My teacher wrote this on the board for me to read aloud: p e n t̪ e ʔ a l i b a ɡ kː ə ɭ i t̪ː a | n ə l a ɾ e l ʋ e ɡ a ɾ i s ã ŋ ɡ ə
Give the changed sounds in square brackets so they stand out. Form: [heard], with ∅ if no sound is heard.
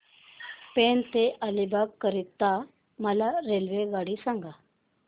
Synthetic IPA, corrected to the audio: p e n t̪ e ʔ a l i b a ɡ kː ə [ɾ] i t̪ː a | [m] ə l a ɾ e l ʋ e ɡ a [ɽ] i s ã ŋ ɡ [a]